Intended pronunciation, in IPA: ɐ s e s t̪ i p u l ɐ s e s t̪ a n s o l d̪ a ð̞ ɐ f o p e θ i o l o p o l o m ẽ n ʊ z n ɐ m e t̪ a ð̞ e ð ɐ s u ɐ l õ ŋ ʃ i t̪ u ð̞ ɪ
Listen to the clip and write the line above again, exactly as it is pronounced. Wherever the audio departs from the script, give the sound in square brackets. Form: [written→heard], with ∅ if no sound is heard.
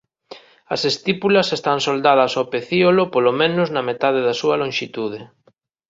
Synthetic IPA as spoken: ɐ s e s t̪ i p u l ɐ s e s t̪ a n s o l d̪ a ð̞ ɐ [f→s] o p e θ i o l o p o l o m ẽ n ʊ z n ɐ m e t̪ a ð̞ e ð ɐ s u ɐ l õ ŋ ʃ i t̪ u ð̞ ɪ